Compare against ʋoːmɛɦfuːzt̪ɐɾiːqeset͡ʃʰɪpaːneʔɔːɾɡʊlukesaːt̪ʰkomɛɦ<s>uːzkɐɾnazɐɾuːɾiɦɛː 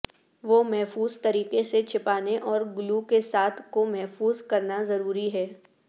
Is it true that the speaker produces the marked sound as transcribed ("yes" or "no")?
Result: no